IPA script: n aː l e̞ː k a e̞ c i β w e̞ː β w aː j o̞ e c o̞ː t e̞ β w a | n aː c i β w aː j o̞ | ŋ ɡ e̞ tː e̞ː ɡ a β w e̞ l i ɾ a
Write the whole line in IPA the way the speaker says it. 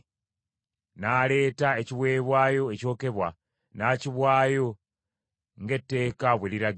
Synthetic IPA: n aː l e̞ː t a e̞ c i β w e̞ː β w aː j o̞ e c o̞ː k e̞ β w a | n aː c i β w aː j o̞ | ŋ ɡ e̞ tː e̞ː k a β w e̞ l i ɾ a